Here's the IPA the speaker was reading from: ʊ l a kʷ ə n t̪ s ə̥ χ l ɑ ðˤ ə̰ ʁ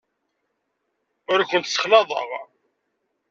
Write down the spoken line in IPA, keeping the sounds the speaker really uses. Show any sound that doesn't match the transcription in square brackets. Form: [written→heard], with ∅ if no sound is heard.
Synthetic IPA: ʊ [l→ɾ] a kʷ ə n t̪ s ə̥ χ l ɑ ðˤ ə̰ ʁ

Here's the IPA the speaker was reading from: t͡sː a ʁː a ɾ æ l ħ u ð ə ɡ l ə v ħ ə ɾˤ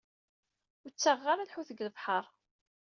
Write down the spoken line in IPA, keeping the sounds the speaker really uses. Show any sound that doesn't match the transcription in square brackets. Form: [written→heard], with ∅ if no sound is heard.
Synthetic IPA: t͡sː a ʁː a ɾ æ l ħ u [ð→θ] ə ɡ l ə v ħ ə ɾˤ

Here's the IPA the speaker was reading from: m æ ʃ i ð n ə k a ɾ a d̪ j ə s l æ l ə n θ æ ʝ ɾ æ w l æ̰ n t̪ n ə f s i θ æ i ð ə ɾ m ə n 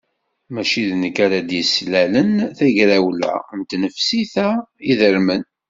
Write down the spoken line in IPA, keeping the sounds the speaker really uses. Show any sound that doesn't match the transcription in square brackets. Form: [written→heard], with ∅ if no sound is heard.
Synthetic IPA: m æ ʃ i ð n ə k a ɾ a d̪ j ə s l æ l ə n θ æ ʝ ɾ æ w l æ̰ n t̪ n ə f s i θ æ i ð ə ɾ m ə n

